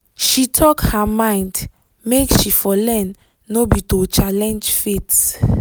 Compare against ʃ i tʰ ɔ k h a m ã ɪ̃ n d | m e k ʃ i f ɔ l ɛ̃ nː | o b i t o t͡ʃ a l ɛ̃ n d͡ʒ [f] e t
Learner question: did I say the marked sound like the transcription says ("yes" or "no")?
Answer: yes